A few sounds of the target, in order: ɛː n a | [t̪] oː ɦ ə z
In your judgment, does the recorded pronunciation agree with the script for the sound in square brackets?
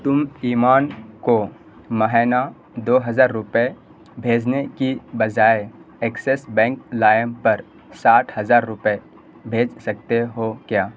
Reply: no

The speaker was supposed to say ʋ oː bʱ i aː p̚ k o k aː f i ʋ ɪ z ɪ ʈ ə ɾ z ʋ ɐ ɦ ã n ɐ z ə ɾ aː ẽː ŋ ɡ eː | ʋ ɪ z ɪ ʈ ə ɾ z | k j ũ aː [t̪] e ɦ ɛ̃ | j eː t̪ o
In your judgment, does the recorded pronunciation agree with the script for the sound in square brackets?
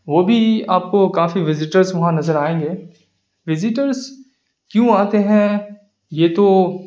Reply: yes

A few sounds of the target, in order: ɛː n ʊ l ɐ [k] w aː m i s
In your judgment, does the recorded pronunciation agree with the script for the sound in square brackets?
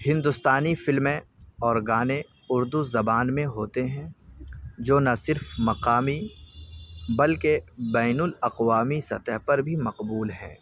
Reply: no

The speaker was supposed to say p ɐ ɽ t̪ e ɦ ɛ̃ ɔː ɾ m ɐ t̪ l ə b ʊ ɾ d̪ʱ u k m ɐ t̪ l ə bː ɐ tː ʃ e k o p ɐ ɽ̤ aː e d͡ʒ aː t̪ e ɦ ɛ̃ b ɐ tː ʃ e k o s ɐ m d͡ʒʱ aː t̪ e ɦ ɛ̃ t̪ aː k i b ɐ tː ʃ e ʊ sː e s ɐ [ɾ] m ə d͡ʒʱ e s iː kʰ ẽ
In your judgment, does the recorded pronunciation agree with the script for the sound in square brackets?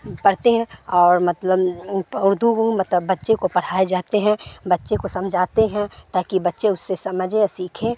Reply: no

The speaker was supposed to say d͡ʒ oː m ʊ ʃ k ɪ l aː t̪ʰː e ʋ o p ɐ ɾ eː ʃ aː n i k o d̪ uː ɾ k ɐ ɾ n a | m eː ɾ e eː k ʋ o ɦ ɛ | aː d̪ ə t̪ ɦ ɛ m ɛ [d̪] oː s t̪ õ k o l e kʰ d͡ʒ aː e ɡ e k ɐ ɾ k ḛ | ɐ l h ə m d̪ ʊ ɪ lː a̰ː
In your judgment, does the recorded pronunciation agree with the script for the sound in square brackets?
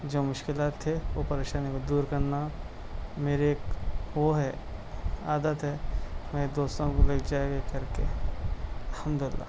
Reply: yes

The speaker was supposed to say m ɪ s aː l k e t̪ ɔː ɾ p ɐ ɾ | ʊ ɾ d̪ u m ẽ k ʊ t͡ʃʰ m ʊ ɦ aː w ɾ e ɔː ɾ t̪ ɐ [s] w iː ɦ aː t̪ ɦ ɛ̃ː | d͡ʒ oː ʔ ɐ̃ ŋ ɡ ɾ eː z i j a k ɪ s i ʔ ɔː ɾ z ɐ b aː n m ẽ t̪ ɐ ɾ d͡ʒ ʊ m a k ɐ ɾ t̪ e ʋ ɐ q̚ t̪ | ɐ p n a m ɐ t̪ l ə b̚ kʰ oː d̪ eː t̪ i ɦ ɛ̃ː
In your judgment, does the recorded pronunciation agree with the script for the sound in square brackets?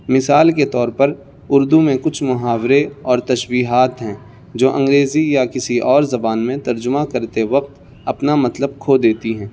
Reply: no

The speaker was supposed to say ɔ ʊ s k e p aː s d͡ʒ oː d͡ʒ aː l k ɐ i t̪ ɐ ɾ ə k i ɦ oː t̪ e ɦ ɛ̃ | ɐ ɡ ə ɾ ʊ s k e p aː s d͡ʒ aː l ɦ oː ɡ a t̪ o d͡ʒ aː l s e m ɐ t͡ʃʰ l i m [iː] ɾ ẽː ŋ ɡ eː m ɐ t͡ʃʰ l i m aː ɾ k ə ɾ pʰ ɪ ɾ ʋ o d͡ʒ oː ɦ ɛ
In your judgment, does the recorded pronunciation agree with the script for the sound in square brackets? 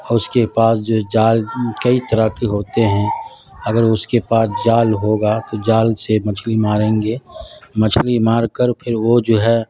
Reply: no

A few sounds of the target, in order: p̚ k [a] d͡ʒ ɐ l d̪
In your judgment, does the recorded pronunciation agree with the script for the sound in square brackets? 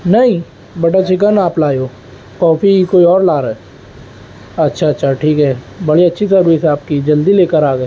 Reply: no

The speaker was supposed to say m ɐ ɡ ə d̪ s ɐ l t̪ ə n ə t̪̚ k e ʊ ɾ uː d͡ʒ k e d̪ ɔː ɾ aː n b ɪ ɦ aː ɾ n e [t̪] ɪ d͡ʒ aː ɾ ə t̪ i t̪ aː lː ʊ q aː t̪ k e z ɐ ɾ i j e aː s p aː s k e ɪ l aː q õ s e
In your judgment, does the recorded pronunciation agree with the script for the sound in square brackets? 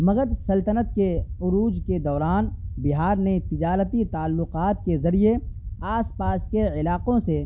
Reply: yes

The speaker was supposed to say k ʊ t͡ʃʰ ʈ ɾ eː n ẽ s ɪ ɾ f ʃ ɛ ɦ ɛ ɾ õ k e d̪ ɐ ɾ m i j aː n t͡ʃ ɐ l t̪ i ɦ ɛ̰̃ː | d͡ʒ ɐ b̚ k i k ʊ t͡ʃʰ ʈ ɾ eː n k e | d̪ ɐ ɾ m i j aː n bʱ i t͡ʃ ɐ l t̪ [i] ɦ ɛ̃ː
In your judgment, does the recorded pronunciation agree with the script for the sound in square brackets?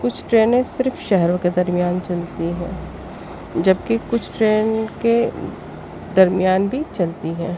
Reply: yes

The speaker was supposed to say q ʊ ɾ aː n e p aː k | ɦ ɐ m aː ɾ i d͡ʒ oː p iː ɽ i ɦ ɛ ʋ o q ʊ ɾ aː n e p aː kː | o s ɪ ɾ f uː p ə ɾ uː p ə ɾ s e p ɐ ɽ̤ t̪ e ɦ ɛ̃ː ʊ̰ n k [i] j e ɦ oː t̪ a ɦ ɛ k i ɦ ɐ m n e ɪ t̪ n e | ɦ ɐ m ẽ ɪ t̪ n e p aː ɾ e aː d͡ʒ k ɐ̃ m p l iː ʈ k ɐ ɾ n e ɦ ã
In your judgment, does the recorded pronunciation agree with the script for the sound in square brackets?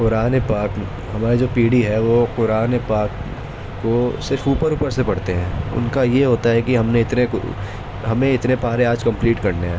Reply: no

